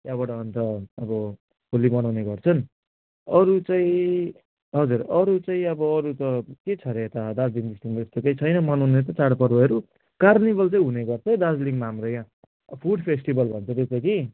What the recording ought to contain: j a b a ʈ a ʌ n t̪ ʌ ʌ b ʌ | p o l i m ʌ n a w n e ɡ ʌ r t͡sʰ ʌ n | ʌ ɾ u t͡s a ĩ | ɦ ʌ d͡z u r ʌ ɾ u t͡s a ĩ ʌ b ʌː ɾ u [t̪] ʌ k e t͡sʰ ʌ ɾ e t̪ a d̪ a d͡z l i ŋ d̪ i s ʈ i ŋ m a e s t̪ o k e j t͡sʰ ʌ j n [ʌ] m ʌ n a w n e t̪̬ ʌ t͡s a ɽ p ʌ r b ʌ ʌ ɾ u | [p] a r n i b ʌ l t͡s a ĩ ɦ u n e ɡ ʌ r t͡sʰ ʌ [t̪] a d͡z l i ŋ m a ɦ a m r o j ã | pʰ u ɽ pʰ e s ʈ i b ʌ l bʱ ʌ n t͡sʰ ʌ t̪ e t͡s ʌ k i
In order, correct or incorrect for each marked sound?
correct, correct, incorrect, incorrect

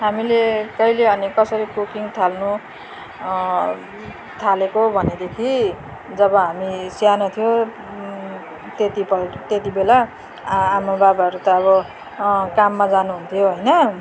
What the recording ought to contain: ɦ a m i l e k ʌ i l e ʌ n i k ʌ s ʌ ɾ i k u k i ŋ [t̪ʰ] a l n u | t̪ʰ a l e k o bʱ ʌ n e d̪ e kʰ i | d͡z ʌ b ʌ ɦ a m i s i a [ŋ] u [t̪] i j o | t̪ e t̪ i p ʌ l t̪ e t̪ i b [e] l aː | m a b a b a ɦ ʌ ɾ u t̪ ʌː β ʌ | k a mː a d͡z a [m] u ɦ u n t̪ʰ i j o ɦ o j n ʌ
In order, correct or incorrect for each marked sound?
correct, incorrect, incorrect, correct, incorrect

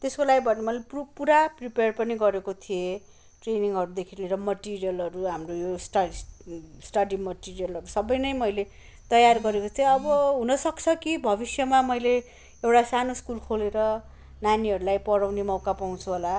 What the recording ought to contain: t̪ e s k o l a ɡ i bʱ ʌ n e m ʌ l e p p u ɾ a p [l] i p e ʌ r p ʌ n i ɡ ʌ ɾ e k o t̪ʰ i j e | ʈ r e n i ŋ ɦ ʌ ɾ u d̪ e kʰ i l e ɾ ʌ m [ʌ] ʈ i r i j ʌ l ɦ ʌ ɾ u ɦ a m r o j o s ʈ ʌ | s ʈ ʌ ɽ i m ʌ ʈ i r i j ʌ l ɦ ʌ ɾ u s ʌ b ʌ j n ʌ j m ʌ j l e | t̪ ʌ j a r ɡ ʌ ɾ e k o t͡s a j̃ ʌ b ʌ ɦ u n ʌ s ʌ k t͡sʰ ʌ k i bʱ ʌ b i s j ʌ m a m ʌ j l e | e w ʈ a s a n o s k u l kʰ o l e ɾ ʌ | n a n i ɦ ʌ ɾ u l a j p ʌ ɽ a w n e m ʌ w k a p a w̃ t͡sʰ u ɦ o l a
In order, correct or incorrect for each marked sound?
incorrect, correct

